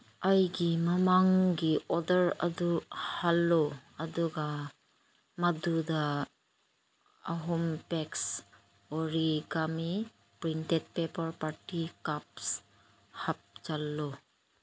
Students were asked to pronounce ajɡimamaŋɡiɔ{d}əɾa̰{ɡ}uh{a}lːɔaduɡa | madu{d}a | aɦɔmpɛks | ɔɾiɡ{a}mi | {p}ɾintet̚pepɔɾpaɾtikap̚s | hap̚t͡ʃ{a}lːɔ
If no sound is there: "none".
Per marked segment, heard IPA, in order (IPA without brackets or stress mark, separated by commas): d, d, a, d, a, p, a